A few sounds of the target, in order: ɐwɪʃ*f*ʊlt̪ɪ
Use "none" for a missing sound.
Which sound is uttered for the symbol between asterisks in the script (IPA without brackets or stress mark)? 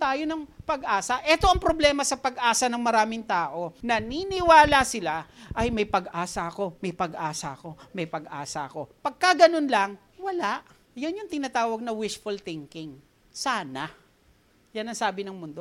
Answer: f